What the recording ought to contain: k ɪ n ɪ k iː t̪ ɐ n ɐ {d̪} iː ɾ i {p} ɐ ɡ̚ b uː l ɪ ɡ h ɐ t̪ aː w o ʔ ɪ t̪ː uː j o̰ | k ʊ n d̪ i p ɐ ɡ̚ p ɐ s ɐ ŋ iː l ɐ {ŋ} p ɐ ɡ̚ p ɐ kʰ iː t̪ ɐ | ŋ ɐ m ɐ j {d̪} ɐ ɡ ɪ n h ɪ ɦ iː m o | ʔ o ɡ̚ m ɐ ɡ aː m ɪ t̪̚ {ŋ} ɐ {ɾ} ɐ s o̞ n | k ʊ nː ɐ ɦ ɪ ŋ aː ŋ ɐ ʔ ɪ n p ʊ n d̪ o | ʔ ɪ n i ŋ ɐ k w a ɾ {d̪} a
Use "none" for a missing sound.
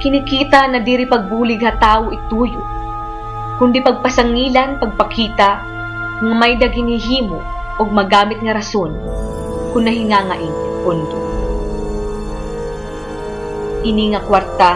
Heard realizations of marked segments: d̪, p, n, d̪, ŋ, ɾ, t̪

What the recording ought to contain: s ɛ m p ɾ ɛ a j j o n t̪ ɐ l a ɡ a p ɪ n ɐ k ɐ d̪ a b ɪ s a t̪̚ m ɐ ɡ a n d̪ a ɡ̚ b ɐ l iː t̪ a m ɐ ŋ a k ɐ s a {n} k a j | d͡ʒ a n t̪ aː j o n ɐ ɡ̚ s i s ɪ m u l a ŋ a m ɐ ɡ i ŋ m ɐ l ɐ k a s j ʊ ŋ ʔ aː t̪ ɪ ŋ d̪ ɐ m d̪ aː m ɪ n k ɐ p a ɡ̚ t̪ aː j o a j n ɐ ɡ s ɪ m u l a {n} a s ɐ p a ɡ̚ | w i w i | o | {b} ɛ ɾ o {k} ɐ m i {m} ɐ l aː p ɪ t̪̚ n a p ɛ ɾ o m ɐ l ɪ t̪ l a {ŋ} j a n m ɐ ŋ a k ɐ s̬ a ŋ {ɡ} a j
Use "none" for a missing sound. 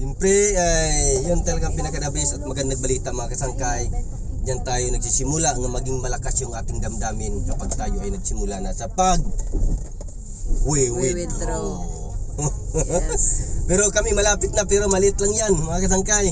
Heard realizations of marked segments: ŋ, n, p, k, m, ŋ, k

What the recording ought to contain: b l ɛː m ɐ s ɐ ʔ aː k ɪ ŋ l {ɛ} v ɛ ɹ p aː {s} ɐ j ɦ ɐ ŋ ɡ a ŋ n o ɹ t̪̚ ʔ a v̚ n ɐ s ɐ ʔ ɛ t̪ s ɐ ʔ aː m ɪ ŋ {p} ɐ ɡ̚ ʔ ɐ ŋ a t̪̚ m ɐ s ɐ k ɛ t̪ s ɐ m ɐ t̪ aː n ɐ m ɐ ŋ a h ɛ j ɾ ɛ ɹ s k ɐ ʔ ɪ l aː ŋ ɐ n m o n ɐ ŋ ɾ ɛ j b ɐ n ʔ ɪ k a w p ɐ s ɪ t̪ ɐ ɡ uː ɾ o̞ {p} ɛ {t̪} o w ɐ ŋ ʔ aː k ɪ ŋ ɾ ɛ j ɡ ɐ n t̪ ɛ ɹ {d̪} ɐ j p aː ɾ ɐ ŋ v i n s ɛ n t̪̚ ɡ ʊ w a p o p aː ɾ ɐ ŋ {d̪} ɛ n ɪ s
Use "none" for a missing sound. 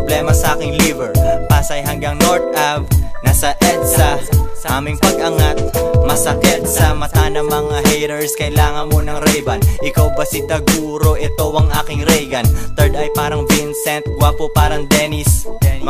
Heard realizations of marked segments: i, s, p, ʔ, t̪, d̪, d̪

